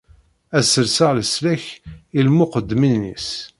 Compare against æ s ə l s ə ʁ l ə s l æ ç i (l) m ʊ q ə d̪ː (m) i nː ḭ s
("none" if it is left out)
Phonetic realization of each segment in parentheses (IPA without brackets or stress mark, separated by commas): l, m